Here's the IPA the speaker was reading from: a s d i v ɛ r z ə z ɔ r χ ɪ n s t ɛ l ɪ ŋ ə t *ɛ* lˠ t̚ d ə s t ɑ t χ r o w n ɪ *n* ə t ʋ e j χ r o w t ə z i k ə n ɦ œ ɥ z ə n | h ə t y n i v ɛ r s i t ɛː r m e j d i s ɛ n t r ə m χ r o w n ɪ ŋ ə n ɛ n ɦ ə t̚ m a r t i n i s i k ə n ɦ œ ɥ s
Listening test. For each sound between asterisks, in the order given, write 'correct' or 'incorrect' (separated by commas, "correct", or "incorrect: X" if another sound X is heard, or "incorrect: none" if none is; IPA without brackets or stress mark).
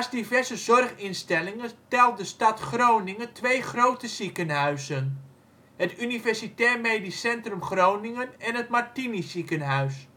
correct, incorrect: ŋ